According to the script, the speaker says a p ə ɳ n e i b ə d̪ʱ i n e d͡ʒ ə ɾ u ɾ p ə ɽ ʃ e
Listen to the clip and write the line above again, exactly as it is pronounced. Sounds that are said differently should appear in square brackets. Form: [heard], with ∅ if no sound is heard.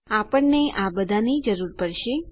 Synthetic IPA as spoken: a p ə ɳ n e [a] b ə d̪ʱ [a] n [i] d͡ʒ ə ɾ u ɾ p ə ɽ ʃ e

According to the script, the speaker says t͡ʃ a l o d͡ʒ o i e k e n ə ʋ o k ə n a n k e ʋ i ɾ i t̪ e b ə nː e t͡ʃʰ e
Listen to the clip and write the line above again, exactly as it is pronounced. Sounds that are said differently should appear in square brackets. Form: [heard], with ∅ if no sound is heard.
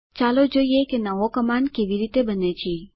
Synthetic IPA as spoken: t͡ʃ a l o d͡ʒ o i e k e n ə ʋ o k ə [m] a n k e ʋ i ɾ i t̪ e b ə [n] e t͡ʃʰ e

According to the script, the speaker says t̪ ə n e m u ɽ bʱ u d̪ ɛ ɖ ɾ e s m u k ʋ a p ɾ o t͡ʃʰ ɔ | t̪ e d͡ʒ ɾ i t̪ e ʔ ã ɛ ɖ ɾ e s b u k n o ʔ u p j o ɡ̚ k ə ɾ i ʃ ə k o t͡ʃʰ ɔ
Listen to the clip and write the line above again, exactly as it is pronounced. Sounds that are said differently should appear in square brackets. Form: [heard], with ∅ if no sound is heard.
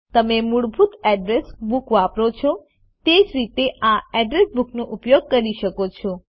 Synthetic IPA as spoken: t̪ ə [m] e m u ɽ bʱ u [t̪] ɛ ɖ ɾ e s [b] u k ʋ a p ɾ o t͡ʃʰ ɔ | t̪ e d͡ʒ ɾ i t̪ e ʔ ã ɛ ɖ ɾ e s b u k n o ʔ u p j o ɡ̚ k ə ɾ i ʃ ə k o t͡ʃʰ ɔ

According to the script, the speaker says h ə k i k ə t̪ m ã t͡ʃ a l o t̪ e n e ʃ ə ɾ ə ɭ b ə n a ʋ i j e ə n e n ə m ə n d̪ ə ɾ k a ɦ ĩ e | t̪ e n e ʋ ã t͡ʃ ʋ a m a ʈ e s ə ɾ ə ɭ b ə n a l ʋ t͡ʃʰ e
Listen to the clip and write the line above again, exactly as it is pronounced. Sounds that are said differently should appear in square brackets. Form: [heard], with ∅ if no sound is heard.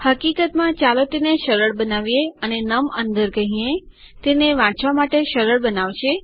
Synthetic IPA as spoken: h ə k i k ə t̪ m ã t͡ʃ a l o t̪ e n e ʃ ə ɾ ə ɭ b ə n a ʋ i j e ə n e n ə m ə n d̪ ə ɾ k [ə] ɦ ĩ e | t̪ e n e ʋ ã t͡ʃ ʋ a m a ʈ e [ʃ] ə ɾ ə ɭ b ə n a [∅] ʋ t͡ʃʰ e

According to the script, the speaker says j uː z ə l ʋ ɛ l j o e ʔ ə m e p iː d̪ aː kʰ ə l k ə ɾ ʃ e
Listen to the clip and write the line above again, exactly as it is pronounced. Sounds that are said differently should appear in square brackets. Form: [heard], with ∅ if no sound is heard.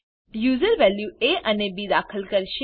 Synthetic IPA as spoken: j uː z ə [ɾ] ʋ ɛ l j [u] e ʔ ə [n] e [b] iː d̪ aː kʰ ə l k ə ɾ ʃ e

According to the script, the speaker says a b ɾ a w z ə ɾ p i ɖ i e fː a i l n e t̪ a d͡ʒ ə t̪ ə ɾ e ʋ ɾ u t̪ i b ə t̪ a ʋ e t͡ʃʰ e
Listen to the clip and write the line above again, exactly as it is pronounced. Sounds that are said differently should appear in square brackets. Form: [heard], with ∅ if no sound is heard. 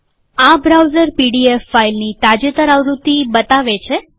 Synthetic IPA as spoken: a b ɾ a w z ə ɾ p i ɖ i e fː a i l n [i] t̪ a d͡ʒ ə t̪ ə ɾ [a] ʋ ɾ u t̪ i b ə t̪ a ʋ e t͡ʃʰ e

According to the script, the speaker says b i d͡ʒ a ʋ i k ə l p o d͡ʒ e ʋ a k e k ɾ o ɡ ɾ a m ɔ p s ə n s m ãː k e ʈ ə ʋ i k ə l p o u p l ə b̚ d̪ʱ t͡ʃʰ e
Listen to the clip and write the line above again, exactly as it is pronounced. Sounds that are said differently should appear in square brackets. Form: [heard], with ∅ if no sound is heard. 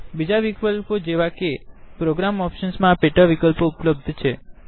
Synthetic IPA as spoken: b i d͡ʒ a ʋ i k ə l p o d͡ʒ e ʋ a k e [p] ɾ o ɡ ɾ a m ɔ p [ʃ] ə n s m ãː [p] e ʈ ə ʋ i k ə l p o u p l ə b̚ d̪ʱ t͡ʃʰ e

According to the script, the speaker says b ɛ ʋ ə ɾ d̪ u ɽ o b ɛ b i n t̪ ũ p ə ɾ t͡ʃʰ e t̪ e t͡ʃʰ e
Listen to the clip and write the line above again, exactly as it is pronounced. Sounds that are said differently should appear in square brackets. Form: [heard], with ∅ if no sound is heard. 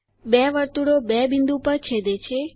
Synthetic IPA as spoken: b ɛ ʋ ə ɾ [t̪] u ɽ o b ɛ b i n [d̪] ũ p ə ɾ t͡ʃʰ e [d̪] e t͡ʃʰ e

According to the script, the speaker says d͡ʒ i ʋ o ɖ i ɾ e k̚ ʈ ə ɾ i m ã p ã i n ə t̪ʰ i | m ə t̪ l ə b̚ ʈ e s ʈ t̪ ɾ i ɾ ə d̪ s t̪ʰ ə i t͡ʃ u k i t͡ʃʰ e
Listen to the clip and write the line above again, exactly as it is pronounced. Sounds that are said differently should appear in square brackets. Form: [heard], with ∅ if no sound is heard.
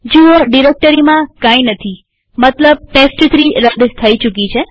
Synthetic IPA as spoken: d͡ʒ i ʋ o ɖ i ɾ e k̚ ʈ ə ɾ i m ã [k] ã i n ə t̪ʰ i | m ə t̪ l ə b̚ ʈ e s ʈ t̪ ɾ i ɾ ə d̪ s t̪ʰ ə i t͡ʃ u k i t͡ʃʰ e

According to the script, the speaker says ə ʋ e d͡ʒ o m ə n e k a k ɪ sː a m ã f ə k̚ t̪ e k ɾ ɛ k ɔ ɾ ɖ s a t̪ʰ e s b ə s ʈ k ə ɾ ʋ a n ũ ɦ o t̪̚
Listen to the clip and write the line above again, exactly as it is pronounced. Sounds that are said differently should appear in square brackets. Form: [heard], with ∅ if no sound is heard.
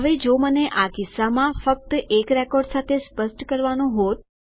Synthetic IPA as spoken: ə ʋ e d͡ʒ o m ə n e [ʔ] a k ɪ sː a m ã f ə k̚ t̪ e k ɾ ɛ k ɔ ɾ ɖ s a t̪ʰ e s [p] ə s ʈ k ə ɾ ʋ a n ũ ɦ o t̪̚

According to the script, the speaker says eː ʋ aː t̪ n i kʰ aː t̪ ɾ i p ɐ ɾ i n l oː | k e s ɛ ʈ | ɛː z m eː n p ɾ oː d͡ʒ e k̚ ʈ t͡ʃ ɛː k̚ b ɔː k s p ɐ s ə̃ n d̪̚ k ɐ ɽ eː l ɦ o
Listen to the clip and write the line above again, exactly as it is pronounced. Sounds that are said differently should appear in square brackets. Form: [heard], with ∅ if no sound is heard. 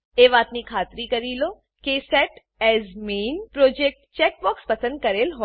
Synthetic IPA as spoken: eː ʋ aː t̪ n i kʰ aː t̪ ɾ i [k] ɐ ɾ i [∅] l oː | k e s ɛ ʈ | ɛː z m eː n p ɾ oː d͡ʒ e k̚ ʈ t͡ʃ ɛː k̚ b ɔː k s p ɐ s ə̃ n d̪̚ k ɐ [ɾ] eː l ɦ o

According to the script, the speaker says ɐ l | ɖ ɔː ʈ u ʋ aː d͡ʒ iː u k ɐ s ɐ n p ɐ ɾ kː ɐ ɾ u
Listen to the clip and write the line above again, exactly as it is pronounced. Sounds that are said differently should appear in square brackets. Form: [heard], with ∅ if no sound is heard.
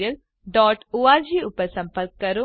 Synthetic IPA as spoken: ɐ l | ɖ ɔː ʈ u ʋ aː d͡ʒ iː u [p] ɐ s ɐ [m] p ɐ ɾ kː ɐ ɾ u

